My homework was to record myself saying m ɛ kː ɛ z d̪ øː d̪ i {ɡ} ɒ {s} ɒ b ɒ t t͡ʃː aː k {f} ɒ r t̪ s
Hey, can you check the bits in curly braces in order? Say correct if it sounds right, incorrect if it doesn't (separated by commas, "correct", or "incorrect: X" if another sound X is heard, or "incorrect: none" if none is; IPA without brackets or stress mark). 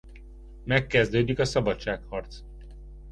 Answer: incorrect: k, correct, incorrect: h